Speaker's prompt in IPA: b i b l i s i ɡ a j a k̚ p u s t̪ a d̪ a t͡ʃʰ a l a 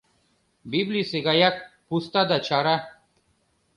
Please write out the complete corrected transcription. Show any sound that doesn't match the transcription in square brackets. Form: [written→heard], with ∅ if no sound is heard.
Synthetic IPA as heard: b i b l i s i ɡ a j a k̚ p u s t̪ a d̪ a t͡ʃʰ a [l→ɾ] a